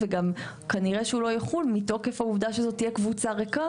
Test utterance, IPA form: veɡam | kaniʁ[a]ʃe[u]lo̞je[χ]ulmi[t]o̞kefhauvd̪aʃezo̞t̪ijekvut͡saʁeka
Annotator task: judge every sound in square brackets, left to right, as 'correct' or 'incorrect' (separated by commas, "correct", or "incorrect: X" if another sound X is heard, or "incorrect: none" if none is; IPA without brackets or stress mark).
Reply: incorrect: e, correct, correct, correct